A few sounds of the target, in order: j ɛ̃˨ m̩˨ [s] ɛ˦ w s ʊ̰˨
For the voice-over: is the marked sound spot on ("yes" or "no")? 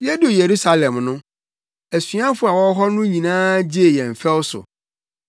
no